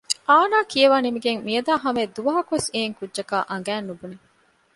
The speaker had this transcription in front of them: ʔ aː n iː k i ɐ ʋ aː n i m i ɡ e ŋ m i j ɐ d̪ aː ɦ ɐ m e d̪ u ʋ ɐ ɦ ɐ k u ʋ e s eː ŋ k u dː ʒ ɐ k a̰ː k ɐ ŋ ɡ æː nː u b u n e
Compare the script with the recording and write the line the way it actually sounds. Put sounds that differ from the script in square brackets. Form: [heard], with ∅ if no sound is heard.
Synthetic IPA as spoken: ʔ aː n [aː] k i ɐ ʋ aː n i m i ɡ e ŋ m i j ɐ d̪ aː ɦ ɐ m e d̪ u ʋ ɐ ɦ ɐ k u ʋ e s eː ŋ k u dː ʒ ɐ k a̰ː [ʔ] ɐ ŋ ɡ æː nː u b u n e